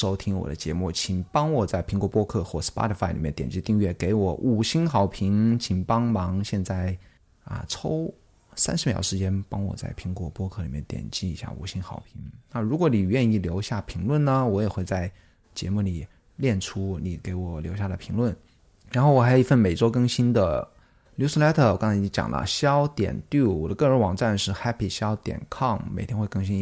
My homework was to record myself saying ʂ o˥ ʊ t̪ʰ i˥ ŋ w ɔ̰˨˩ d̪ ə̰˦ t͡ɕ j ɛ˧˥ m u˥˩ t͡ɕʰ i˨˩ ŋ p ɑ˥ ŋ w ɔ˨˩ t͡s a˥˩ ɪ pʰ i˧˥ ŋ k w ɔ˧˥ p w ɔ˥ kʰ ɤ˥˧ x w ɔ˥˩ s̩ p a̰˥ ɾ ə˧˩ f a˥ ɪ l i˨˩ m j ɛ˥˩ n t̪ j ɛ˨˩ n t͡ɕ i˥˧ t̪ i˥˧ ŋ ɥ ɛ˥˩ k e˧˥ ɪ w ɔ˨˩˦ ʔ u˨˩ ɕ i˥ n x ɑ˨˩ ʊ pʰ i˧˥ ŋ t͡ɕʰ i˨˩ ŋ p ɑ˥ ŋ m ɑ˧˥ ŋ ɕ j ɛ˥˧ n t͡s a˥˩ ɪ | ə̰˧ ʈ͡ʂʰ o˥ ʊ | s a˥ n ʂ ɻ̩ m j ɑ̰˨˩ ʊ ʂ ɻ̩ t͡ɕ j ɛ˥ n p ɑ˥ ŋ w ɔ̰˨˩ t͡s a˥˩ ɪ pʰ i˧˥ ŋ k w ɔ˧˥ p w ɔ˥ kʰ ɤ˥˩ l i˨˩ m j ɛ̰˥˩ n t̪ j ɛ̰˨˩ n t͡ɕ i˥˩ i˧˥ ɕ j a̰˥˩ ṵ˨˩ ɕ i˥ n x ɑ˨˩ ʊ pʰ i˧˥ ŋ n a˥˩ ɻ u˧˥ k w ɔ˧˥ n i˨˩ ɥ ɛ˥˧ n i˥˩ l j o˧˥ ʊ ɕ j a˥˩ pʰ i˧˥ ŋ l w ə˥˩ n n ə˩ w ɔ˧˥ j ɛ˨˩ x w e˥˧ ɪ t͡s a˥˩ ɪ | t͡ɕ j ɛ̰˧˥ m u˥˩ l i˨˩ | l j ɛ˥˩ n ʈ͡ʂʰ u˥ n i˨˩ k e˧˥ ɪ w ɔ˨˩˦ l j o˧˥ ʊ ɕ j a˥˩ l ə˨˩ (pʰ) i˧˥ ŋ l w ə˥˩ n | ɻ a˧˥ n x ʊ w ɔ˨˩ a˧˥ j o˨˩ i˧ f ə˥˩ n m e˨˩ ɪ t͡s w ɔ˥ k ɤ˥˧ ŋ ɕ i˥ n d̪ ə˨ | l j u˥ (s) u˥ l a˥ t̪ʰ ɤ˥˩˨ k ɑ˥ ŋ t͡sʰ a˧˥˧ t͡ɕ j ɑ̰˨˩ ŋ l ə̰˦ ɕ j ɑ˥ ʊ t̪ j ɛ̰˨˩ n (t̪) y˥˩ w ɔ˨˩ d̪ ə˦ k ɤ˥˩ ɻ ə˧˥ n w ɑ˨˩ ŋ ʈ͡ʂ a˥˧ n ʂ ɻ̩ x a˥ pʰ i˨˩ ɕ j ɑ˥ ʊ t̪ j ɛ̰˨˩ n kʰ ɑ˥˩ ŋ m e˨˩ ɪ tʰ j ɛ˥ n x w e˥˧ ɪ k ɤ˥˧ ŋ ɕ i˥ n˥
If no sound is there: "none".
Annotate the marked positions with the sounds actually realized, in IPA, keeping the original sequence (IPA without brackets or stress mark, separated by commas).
pʰ, s, t̪